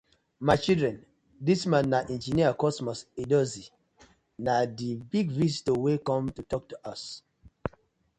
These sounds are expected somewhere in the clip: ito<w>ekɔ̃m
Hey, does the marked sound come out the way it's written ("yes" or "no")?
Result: yes